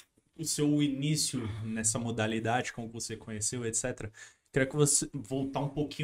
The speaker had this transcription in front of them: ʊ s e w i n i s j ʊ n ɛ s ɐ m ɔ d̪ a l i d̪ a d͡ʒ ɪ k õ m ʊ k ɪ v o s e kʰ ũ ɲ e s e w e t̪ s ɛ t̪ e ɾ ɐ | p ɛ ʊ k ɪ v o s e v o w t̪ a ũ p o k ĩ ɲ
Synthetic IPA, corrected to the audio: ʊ s e w i n i s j ʊ n ɛ s ɐ m o d̪ a l i d̪ a d͡ʒ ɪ k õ m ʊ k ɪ v o s e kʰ õ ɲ e s e w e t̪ s ɛ t̪ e ɾ ɐ | k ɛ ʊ k ɪ v o s e v o w t̪ a ũ p o k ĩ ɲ